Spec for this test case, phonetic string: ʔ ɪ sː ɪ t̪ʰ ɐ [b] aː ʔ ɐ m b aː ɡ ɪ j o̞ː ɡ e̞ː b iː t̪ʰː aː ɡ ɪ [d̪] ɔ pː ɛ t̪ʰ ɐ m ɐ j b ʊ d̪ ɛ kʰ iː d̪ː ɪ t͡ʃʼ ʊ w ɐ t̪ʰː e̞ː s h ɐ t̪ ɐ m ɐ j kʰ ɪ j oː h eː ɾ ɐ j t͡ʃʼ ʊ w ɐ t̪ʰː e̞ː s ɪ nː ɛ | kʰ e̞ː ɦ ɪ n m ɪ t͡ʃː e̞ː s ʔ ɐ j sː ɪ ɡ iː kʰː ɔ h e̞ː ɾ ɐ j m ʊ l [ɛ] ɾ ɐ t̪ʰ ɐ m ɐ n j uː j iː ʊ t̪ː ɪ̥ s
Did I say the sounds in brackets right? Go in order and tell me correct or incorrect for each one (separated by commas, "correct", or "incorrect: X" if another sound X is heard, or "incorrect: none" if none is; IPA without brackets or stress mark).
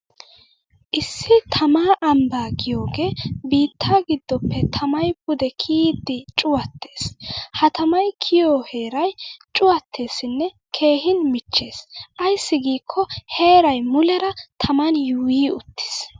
incorrect: m, incorrect: d̪ː, correct